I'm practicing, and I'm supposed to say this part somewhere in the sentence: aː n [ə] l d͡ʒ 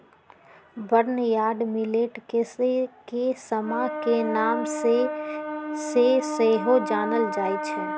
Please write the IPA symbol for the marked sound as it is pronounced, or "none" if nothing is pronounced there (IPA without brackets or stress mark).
ə